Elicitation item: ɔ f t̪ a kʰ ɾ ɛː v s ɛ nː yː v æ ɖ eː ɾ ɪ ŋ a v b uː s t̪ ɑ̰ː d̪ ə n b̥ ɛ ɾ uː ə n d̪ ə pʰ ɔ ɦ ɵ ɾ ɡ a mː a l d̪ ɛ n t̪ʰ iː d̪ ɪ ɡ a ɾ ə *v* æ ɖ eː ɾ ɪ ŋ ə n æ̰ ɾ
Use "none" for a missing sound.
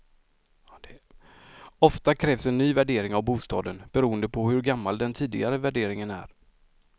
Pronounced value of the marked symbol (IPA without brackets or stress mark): v